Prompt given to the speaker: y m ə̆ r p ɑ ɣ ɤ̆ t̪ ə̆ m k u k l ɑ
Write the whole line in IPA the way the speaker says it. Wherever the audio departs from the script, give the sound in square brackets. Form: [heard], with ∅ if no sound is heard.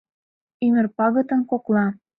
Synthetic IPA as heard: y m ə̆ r p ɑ ɣ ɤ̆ t̪ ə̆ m k [o] k l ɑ